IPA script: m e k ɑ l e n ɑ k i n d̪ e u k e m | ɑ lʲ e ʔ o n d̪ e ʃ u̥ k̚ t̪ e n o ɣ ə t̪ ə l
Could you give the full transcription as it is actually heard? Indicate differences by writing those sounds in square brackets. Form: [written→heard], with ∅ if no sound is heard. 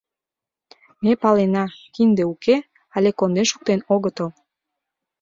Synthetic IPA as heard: m e [k→p] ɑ l e n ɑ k i n d̪ e u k e [m→∅] | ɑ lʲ e [ʔ→k] o n d̪ e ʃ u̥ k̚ t̪ e n o ɣ ə t̪ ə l